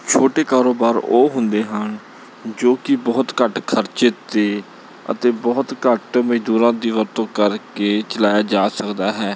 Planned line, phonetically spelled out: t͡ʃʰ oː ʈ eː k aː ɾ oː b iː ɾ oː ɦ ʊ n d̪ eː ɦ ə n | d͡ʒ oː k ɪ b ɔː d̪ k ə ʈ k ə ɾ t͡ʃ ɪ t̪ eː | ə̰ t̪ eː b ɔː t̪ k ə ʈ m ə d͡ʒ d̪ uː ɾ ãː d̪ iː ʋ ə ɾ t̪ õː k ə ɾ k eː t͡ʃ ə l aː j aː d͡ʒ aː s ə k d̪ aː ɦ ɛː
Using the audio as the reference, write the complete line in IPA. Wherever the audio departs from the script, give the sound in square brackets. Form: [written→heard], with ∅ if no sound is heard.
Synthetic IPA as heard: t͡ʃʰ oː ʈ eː k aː ɾ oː b [iː→aː] ɾ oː ɦ ʊ n d̪ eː ɦ ə n | d͡ʒ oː k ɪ b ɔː [d̪→t̪] k ə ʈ [k→kʰ] ə ɾ t͡ʃ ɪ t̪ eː | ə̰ t̪ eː b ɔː t̪ k ə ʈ m ə d͡ʒ d̪ uː ɾ ãː d̪ iː ʋ ə ɾ t̪ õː k ə ɾ k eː t͡ʃ ə l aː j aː d͡ʒ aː s ə k d̪ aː ɦ ɛː